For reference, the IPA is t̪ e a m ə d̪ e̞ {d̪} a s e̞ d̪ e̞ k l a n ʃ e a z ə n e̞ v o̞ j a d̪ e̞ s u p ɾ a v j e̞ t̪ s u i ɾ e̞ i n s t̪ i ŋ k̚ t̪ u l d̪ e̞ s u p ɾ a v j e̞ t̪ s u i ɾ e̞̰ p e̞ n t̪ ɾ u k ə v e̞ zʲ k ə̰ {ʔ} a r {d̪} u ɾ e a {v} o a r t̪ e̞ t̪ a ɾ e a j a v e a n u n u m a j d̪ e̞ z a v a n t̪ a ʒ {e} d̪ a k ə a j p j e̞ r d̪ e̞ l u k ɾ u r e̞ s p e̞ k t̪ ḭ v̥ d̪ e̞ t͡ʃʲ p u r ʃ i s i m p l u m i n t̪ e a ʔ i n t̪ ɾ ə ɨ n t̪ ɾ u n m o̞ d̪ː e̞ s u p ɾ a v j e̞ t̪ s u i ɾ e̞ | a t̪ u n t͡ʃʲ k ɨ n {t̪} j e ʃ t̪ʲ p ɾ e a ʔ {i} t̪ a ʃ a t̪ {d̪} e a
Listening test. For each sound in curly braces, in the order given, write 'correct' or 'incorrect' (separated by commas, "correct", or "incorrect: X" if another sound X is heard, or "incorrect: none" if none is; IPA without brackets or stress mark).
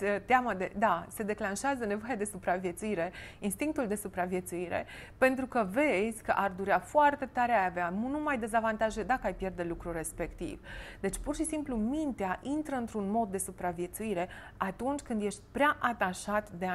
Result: correct, correct, correct, incorrect: f, correct, incorrect: d̪, incorrect: a, correct